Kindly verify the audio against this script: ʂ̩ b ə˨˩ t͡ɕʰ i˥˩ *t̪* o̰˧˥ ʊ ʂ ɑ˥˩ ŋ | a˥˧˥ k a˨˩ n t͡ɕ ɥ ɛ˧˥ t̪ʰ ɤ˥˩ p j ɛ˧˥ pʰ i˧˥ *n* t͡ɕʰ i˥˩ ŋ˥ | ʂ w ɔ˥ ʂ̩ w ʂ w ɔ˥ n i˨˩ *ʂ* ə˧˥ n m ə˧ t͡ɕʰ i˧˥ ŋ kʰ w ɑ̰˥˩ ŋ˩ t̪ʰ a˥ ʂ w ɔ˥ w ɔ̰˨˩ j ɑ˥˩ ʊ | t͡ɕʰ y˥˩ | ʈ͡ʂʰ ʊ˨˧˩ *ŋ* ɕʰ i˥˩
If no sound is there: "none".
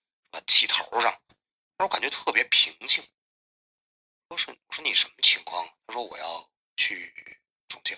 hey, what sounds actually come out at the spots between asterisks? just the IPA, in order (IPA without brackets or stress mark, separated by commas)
t̪ʰ, ŋ, ʂ, ŋ